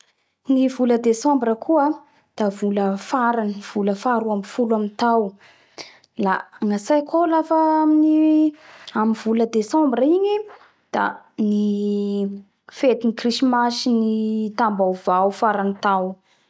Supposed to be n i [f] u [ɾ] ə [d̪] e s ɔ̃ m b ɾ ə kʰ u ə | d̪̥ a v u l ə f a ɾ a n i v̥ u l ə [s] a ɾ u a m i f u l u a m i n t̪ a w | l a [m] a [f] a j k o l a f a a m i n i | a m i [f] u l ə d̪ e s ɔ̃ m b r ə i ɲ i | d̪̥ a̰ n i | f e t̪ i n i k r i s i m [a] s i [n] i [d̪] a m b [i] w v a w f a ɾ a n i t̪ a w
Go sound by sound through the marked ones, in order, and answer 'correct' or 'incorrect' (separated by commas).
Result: incorrect, incorrect, correct, incorrect, incorrect, incorrect, incorrect, correct, correct, incorrect, incorrect